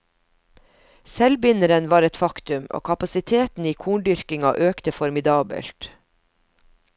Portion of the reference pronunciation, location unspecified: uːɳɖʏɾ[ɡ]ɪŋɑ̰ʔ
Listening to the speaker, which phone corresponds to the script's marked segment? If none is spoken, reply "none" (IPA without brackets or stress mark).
k